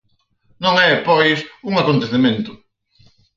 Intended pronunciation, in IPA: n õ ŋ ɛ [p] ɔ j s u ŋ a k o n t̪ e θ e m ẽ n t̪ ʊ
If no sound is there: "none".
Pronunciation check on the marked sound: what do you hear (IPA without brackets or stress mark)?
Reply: p